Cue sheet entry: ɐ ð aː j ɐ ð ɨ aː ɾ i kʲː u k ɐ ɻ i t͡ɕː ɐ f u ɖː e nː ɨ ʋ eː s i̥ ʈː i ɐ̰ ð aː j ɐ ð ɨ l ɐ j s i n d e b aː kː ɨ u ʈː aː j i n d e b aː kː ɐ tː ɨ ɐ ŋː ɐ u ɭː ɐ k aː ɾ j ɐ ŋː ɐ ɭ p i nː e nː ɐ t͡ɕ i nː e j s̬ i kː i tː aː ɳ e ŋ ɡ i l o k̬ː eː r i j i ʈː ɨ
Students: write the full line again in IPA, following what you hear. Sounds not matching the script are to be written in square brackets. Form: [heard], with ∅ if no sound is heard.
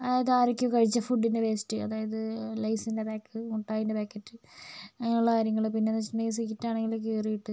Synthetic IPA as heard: ɐ ð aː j ɐ ð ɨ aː ɾ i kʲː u k ɐ ɻ i t͡ɕː ɐ f u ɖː [i] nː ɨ ʋ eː s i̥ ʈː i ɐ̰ ð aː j ɐ ð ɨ l ɐ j s i n d e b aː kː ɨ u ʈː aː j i n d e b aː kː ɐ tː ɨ ɐ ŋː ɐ u ɭː ɐ k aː ɾ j ɐ ŋː ɐ ɭ p i nː e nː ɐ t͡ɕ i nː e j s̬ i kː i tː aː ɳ e ŋ ɡ i l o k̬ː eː r i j i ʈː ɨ